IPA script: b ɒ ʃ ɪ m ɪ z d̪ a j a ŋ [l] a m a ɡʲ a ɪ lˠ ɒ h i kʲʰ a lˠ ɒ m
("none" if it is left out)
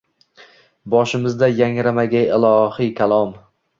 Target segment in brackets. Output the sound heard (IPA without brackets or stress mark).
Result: ɾ